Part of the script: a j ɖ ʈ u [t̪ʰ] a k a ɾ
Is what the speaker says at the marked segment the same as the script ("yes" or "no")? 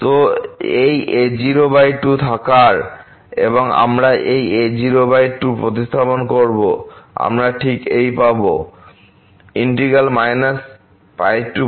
yes